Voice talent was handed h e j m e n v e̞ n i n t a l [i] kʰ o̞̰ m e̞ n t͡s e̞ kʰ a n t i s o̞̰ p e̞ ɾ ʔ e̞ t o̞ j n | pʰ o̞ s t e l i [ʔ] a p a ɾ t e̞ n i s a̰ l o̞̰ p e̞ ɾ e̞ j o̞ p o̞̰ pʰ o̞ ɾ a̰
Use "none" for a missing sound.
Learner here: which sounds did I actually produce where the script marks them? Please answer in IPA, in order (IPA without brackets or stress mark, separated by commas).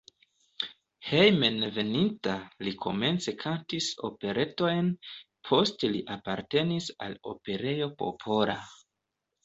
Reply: i, ʔ